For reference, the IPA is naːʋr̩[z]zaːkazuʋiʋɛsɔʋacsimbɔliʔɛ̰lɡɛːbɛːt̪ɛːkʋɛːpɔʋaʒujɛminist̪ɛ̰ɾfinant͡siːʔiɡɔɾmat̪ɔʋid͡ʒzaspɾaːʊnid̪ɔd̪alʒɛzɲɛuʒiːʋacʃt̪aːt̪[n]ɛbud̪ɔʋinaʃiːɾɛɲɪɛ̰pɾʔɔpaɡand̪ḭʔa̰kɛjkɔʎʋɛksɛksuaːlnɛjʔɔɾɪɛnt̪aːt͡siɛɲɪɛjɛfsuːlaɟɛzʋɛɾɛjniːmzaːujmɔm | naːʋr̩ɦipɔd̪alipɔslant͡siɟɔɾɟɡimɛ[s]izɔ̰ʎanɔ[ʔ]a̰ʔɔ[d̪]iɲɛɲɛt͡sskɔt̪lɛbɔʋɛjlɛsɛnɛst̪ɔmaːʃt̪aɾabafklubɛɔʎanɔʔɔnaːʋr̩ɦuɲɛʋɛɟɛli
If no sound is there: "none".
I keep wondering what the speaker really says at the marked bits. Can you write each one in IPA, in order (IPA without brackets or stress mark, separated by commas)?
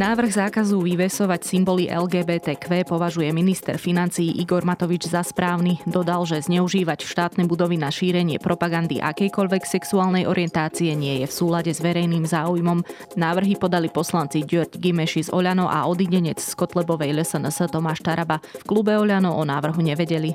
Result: ɣ, n, ʃ, ʔ, d̪